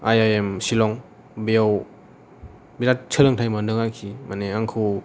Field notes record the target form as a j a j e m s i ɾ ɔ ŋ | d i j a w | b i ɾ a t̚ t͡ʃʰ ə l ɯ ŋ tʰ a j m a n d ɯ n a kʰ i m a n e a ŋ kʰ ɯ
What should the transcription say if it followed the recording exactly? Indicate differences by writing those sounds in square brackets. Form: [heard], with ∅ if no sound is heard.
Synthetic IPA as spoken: a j a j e m s i [l] ɔ ŋ | [b] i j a w | b i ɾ a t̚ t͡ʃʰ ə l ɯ ŋ tʰ a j m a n d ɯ [ŋ] a kʰ i m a n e a ŋ kʰ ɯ